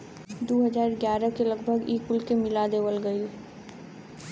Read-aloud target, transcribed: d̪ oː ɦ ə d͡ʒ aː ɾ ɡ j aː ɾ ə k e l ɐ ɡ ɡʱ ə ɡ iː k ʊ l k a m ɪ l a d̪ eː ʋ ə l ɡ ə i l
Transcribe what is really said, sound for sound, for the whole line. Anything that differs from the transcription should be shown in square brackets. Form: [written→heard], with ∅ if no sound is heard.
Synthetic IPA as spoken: d̪ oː ɦ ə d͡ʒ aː ɾ ɡ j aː ɾ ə k e l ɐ ɡ [ɡʱ→bʱ] ə ɡ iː k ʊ l k [a→e] m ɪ l a d̪ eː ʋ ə l ɡ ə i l